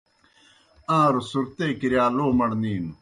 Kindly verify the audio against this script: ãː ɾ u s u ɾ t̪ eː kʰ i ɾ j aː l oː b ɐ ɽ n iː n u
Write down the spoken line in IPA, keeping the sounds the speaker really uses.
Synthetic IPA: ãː ɾ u s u ɾ t̪ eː k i ɾ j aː l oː m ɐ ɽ n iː n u